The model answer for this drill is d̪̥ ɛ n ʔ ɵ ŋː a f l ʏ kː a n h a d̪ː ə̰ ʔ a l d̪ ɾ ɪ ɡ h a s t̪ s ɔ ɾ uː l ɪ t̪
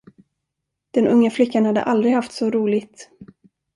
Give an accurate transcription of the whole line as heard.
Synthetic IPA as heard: d̪̥ ɛ n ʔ ɵ ŋː a f l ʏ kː a n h a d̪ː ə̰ ʔ a l d̪ ɾ ɪ ɡ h a f t̪ s ɔ ɾ uː l ɪ t̪

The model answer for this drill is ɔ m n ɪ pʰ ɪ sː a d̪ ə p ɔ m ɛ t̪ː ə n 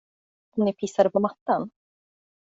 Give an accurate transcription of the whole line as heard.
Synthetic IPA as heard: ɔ m n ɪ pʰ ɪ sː a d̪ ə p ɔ m a t̪ː a n

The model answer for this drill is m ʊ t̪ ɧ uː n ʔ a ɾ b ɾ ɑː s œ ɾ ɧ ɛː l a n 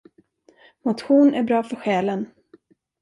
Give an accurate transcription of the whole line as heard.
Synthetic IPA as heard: m ʊ t̪ ɧ uː n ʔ æ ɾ b ɾ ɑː f œ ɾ ɧ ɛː l ə n

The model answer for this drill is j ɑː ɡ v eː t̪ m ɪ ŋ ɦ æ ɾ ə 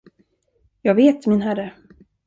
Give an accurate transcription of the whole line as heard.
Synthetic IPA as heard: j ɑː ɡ v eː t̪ m ɪ n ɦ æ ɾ ə

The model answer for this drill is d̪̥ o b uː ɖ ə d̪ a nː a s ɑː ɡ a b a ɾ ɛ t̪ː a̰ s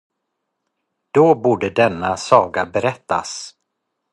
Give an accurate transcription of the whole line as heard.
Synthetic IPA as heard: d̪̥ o b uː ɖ ə d̪ ɛ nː a s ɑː ɡ a b ɛ ɾ ɛ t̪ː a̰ s

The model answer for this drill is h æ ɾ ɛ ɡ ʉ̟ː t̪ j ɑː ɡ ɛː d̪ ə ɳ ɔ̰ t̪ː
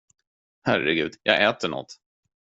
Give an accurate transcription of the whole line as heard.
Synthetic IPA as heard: h æ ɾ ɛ ɡ ʉ̟ː d̪ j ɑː ɡ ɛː t̪ ə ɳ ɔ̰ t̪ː

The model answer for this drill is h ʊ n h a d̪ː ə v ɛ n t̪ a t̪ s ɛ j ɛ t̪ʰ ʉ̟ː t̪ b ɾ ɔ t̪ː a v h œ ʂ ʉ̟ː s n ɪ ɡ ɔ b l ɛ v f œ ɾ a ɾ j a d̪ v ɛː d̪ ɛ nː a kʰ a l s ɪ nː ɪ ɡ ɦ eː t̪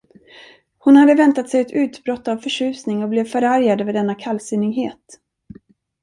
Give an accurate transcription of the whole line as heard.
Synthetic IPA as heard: h ʊ n h a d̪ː ə v ɛ n t̪ a t̪ s ɛ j ɛ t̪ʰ ʉ̟ː t̪ b ɾ ɔ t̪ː a v f œ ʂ ʉ̟ː s n ɪ ŋ ɔ b l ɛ v f œ ɾ a ɾ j a d̪ v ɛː d̪ ɛ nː a kʰ a l s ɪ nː ɪ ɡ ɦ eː t̪

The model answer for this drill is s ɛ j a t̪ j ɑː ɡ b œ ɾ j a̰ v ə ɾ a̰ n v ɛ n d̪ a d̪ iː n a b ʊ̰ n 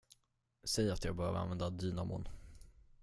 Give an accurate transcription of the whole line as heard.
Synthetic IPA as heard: s ɛ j a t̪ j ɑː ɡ b œ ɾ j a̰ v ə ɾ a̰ n v ɛ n d̪ a d̪ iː n a m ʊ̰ n

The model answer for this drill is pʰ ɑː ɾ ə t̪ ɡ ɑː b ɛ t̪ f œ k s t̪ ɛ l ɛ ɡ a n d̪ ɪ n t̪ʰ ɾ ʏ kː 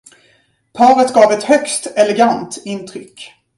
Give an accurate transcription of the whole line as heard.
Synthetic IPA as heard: pʰ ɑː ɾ ə t̪ ɡ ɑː v ɛ t̪ h œ k s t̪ ɛ l ɛ ɡ a n t̪ ɪ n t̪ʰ ɾ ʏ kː

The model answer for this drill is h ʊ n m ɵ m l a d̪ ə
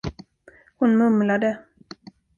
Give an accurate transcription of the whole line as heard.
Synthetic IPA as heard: h ʊ n m ɵ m l a d̪ ə

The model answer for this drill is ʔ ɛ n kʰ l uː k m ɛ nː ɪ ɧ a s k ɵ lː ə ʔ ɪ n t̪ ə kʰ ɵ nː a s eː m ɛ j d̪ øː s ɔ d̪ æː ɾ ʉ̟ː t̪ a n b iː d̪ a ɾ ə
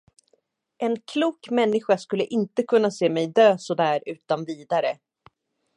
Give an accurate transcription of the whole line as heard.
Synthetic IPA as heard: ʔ ɛ n kʰ l uː k m ɛ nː ɪ ɧ a s k ɵ lː ə ʔ ɪ n t̪ ə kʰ ɵ nː a s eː m ɛ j d̪ øː s ɔ d̪ æː ɾ ʉ̟ː t̪ a n v iː d̪ a ɾ ə

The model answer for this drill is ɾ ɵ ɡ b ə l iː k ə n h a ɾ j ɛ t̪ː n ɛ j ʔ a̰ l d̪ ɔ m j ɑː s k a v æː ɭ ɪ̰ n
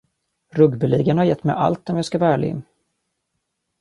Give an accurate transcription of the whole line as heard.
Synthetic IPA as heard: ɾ ɵ ɡ b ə l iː ɡ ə n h a ɾ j ɛ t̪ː m ɛ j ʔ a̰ l t̪ ɔ m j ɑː s k a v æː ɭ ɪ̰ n

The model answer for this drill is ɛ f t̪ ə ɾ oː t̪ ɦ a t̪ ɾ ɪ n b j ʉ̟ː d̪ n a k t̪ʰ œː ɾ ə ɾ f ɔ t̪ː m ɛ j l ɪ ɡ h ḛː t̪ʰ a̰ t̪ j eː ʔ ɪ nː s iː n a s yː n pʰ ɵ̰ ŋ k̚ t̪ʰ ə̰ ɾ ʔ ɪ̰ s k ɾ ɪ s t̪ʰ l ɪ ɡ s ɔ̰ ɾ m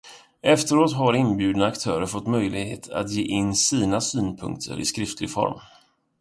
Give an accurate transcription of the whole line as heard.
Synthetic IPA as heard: ɛ f t̪ ə ɾ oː t̪ ɦ a ɾ ɪ n b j ʉ̟ː d̪ n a k t̪ʰ œː ɾ ə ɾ f ɔ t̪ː m œ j l ɪ ɡ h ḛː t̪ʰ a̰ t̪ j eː ʔ ɪ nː s iː n a s yː n pʰ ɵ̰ ŋ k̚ t̪ʰ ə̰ ɾ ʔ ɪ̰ s k ɾ ɪ f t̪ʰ l ɪ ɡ f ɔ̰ ɾ m

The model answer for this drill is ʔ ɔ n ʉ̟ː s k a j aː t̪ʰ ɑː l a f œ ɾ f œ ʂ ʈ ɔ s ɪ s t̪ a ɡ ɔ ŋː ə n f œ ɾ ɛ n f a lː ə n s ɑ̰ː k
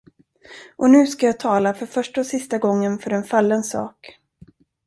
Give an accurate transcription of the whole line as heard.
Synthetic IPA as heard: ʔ ɔ n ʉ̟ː s k a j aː t̪ʰ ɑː l a f œ ɾ f œ ʂ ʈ ɔ s ɪ s t̪ a ɡ ɔ ŋː ə n f œ ɾ ɛ n f a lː ə n s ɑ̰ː k

